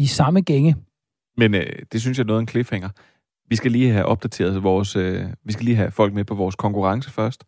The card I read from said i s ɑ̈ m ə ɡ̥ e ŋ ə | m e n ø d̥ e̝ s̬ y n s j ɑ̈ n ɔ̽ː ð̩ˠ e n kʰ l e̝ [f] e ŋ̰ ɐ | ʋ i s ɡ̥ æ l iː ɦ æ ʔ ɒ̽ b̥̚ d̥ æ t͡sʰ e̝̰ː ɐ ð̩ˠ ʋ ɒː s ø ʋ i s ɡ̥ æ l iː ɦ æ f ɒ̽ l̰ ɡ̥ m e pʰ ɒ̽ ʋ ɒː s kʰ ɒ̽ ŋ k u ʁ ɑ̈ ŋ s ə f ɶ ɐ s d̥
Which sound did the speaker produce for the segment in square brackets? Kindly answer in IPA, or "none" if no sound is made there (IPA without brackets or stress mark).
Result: f